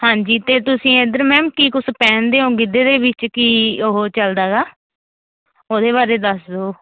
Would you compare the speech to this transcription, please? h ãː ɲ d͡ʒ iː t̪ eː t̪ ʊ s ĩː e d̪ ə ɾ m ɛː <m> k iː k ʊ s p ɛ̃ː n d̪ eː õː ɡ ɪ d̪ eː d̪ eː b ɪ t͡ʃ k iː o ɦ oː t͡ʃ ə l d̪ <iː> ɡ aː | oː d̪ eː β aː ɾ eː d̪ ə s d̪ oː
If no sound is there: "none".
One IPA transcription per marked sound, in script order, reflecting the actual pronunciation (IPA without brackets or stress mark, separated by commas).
m, aː